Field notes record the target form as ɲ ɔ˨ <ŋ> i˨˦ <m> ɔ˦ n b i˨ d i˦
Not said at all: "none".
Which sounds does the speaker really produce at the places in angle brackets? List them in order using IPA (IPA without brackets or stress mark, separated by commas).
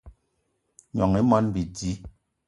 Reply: ŋ, m